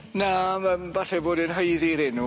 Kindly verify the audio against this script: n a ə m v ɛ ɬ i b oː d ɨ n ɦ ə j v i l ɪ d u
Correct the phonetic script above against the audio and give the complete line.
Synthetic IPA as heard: n a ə m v a ɬ ɛ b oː d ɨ n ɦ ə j ð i ɾ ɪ n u